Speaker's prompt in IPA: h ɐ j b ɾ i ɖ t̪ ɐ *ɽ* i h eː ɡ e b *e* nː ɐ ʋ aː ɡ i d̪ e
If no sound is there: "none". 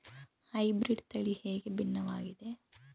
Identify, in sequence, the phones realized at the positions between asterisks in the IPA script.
ɭ, i

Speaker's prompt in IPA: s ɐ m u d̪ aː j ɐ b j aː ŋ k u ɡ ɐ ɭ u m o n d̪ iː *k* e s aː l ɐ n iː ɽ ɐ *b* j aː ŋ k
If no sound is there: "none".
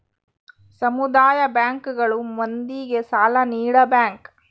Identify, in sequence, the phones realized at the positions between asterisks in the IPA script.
ɡ, b

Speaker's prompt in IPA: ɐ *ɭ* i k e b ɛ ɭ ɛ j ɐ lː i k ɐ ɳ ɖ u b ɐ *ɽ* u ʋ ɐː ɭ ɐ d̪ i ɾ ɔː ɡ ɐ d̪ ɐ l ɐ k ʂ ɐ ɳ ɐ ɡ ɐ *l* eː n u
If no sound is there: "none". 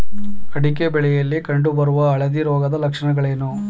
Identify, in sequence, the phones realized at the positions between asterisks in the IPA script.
ɽ, ɾ, ɭ

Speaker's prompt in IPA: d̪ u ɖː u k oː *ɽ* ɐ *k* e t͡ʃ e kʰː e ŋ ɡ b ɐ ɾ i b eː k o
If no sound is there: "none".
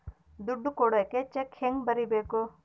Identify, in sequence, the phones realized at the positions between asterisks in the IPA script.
ɽ, k

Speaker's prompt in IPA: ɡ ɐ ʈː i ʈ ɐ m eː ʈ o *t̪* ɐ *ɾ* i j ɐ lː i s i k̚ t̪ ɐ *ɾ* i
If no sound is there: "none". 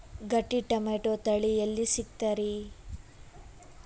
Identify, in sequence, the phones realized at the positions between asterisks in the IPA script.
t̪, ɭ, ɾ

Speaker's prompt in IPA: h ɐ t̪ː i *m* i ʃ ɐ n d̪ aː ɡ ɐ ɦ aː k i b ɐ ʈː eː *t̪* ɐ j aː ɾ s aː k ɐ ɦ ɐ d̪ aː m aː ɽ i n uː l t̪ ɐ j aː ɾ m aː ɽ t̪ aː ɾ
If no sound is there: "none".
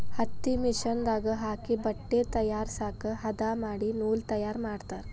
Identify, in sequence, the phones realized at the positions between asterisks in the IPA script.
m, t̪

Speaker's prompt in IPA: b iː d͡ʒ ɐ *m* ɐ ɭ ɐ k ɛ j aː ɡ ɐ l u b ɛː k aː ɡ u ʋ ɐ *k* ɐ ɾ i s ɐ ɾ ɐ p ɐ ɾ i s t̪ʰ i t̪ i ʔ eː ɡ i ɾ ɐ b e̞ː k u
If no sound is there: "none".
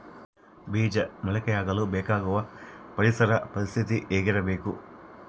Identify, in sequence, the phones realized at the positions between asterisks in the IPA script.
m, p

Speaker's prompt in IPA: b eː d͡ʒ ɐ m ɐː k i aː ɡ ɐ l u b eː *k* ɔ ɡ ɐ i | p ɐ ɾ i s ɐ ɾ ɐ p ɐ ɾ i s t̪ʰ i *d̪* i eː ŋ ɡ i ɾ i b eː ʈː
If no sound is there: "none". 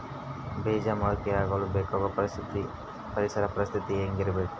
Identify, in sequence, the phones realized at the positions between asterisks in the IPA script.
k, t̪

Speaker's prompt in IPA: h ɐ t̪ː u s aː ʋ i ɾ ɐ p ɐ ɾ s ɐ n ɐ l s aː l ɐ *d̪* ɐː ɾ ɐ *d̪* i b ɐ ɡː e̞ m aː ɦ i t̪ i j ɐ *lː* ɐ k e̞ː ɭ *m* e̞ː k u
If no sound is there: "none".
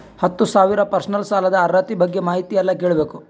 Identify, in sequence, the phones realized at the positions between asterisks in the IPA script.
d̪, t̪, lː, b

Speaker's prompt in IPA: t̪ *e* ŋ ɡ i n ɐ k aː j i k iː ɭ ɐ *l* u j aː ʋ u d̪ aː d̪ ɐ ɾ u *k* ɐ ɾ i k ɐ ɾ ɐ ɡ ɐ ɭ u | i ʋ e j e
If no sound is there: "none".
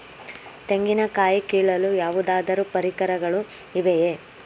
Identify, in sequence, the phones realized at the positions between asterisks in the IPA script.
e, l, p

